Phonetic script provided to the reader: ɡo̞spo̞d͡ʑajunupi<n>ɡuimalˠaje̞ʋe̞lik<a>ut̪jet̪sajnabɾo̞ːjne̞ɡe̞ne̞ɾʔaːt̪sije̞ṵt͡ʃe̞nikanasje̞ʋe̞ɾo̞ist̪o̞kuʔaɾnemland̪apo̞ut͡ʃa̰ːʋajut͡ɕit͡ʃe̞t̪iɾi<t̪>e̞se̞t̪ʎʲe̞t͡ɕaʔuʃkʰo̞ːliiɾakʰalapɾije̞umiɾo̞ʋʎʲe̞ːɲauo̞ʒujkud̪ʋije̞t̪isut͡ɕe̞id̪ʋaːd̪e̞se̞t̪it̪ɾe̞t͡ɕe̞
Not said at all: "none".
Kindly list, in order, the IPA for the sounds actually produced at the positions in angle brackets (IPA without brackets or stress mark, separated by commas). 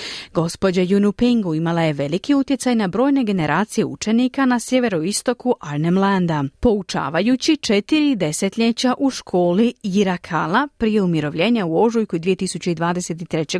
ŋ, i, d̪